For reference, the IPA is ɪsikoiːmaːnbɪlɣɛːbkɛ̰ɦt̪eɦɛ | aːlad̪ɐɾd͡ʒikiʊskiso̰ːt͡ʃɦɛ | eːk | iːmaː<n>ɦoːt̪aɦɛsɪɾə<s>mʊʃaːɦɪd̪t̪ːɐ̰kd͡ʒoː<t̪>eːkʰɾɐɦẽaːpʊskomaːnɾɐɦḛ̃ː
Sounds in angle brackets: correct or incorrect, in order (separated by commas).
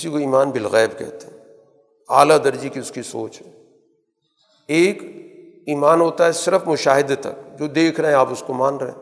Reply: correct, incorrect, incorrect